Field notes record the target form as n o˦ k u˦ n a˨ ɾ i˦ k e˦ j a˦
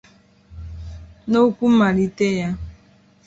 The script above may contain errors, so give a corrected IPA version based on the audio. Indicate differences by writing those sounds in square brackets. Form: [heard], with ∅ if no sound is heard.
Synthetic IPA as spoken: n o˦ k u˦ [m] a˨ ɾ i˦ [t] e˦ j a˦